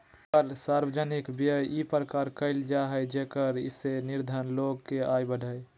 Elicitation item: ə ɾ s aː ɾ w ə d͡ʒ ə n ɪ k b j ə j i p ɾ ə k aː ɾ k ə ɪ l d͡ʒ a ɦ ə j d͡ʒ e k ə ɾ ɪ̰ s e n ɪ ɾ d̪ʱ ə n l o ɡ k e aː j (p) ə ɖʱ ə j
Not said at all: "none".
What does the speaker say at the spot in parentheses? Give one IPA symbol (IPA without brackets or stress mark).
b